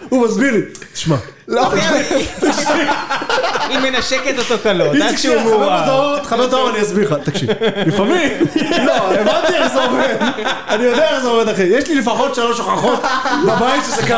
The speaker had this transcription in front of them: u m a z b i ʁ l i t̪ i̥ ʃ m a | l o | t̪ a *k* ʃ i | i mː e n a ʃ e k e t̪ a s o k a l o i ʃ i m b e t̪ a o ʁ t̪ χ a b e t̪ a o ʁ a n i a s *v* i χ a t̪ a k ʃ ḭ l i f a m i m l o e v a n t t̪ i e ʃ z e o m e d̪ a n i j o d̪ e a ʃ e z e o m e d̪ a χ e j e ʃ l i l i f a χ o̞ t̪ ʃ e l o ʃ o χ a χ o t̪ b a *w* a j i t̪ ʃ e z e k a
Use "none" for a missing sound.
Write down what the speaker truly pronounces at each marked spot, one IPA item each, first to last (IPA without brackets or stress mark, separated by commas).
k, b, b